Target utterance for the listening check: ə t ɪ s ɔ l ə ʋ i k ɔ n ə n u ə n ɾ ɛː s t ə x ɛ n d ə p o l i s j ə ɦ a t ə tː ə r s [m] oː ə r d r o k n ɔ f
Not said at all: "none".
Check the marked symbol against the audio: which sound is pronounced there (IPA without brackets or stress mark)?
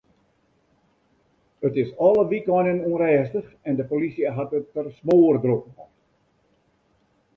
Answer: m